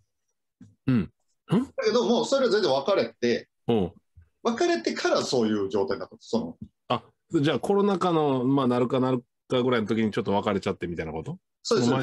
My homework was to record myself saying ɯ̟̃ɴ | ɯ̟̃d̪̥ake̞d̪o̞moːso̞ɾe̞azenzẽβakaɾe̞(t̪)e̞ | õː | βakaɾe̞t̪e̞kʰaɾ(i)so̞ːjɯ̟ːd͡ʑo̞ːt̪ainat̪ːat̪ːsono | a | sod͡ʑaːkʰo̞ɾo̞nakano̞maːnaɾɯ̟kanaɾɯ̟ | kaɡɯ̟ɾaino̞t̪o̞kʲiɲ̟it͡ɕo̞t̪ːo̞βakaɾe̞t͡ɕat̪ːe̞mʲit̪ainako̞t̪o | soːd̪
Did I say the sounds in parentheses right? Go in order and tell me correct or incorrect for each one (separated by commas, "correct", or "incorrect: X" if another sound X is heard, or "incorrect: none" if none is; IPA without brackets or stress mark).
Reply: correct, incorrect: a